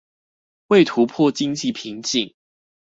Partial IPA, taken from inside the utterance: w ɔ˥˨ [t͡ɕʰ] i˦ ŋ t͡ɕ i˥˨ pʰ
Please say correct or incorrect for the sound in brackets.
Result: incorrect